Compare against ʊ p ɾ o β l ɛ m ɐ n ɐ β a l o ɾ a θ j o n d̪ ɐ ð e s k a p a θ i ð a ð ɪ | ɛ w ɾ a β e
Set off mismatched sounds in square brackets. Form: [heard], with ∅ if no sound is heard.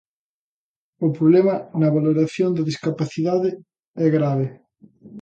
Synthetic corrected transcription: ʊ p ɾ o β l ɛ m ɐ n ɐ β a l o ɾ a θ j o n d̪ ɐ ð [i] s k a p a θ i ð a ð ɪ | ɛ [ɣ] ɾ a β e